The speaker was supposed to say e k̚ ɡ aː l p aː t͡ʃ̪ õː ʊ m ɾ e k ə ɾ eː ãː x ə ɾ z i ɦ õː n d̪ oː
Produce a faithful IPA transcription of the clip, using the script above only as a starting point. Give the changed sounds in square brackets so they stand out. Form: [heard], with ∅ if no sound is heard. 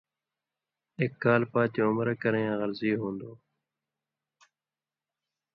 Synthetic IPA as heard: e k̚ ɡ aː l p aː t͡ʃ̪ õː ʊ m ɾ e k ə ɾ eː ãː [ɣ] ə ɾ z [iː] ɦ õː n d̪ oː

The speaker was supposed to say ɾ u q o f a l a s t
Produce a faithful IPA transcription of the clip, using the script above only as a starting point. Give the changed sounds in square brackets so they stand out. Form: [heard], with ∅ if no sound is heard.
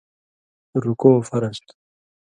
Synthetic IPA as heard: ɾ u [k] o f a [ɾ] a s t

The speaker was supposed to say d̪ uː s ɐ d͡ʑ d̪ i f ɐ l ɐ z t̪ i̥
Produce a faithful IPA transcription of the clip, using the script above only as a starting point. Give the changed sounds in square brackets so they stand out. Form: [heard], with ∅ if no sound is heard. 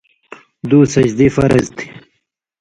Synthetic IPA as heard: d̪ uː s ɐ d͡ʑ d̪ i f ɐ [ɾ] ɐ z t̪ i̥

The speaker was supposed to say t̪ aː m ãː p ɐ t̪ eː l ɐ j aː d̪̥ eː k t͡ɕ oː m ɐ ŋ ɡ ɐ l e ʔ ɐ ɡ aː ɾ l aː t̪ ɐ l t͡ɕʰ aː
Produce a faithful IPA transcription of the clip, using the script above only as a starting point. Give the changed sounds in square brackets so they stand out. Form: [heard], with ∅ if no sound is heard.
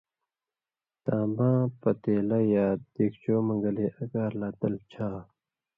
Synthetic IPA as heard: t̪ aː m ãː p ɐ t̪ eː l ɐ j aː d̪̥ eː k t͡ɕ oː m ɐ ŋ ɡ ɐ l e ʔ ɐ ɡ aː ɾ l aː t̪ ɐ l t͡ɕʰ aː

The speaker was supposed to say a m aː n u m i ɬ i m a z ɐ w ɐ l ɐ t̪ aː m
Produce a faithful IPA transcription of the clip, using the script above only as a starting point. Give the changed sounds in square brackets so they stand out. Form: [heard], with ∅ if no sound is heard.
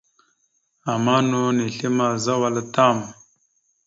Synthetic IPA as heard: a m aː n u [n] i ɬ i m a z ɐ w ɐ l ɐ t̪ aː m

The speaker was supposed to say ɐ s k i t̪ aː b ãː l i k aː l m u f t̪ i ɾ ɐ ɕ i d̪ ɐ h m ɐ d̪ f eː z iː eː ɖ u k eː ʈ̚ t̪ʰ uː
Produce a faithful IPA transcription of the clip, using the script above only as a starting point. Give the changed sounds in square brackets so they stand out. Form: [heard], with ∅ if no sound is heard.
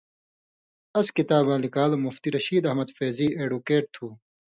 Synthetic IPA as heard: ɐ s k i t̪ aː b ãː l i k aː l m u f t̪ i ɾ ɐ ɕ [iː] d̪ ɐ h m ɐ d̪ f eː z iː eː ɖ u k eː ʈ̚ t̪ʰ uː

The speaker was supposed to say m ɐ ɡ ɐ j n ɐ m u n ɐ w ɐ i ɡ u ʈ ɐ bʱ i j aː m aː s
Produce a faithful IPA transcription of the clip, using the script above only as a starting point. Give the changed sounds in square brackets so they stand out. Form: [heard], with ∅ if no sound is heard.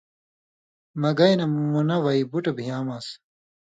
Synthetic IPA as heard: m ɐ ɡ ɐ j n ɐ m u n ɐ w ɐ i [b] u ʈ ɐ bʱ i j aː m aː s

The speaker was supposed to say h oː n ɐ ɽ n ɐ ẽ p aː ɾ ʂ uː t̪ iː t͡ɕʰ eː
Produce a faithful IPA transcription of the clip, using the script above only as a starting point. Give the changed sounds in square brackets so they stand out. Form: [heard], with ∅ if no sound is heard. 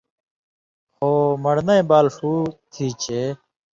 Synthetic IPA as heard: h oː [m] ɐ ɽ n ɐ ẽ [b] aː [l] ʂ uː [t̪ʰ] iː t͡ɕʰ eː

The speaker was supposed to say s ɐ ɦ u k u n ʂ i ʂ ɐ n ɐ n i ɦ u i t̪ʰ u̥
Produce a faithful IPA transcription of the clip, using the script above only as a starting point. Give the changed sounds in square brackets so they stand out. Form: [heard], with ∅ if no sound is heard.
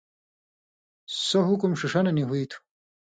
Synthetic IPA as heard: s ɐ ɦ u k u [m] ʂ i ʂ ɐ n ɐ n i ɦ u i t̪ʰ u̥

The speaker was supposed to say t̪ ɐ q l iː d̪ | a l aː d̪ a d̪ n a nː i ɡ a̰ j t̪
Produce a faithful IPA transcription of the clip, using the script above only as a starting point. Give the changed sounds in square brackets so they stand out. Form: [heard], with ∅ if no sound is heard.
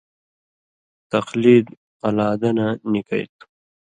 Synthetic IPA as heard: t̪ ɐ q l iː d̪ | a l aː d̪ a [∅] n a [n] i [k] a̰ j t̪

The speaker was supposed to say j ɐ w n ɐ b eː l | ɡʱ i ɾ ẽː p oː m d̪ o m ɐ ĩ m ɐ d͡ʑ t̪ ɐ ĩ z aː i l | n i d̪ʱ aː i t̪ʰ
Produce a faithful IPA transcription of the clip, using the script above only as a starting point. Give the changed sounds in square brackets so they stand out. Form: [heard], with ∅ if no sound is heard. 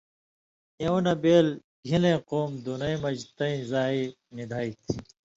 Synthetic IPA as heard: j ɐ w n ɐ b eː l | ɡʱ i [l] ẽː [q] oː m d̪ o [n] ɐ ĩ m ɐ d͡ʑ t̪ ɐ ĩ z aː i [∅] | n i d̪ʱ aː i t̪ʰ

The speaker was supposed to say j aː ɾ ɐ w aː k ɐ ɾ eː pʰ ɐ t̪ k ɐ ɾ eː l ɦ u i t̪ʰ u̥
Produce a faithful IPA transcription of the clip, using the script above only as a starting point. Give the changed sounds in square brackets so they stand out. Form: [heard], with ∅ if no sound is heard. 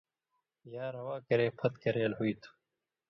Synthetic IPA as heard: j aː ɾ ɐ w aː k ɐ ɾ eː pʰ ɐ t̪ k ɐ ɾ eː l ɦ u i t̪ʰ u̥

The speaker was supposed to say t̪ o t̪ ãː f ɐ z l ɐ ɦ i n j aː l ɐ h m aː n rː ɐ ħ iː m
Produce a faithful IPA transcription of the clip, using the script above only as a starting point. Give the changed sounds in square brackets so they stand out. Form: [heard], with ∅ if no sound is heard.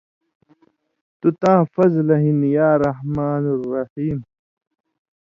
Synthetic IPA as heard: t̪ [u] t̪ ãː f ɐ z l ɐ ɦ i n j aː [ɾ] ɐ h m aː n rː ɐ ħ iː m

